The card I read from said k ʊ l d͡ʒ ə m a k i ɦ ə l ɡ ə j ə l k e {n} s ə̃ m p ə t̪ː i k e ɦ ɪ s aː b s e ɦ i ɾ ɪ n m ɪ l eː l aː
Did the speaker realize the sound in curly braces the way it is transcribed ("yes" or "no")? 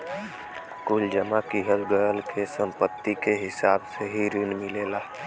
no